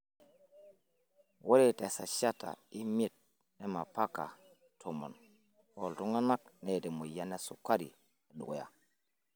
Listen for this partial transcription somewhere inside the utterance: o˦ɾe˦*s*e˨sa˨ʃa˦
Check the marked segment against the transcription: incorrect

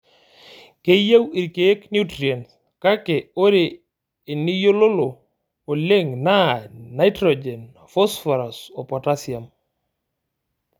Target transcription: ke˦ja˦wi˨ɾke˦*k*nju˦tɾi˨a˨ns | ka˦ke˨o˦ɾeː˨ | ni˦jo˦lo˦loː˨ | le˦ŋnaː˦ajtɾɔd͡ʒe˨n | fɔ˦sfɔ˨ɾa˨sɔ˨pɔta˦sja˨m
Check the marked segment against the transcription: correct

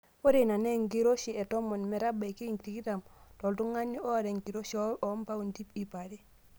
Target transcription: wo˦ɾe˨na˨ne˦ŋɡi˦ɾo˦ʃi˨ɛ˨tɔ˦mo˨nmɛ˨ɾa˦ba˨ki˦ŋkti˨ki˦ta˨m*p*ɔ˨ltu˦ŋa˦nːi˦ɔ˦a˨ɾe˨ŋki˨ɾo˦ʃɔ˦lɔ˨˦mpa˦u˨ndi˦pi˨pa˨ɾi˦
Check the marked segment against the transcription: incorrect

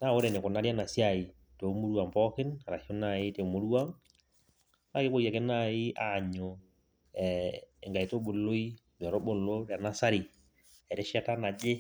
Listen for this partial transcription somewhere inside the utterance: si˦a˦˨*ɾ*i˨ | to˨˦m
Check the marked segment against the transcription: incorrect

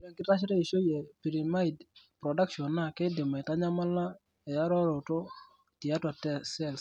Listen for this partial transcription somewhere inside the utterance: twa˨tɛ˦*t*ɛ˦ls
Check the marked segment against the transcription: incorrect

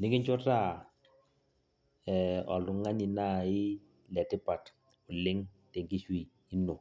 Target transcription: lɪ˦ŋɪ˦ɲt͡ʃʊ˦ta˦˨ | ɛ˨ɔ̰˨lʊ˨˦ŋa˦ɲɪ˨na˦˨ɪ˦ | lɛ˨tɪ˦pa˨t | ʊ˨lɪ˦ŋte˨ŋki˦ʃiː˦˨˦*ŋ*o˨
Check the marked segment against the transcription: incorrect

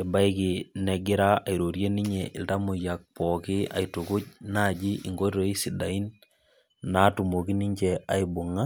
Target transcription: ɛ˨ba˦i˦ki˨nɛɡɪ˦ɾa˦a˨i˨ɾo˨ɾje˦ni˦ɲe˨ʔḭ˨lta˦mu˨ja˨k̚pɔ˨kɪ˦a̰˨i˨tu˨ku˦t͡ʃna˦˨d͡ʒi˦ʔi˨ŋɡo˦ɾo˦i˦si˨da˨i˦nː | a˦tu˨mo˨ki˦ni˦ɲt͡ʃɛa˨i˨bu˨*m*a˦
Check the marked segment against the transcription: incorrect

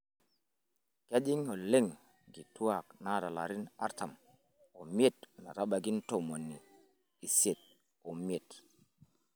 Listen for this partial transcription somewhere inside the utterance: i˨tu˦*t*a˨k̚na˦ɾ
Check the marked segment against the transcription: incorrect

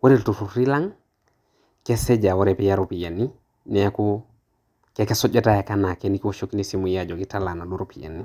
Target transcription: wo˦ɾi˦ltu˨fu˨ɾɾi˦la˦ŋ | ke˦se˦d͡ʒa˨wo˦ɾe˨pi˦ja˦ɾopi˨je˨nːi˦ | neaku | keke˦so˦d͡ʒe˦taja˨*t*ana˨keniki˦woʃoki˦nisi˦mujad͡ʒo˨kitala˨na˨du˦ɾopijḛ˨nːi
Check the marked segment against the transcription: incorrect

